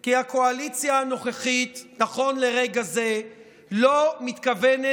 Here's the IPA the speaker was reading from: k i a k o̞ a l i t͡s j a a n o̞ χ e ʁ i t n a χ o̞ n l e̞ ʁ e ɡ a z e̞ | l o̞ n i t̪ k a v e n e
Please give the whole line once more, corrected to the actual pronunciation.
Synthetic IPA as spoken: k i a k o̞ a l i t͡s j a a n o̞ χ e χ i t n a χ o̞ n l e̞ ʁ e ɡ a z e̞ | l o̞ m i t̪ k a v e n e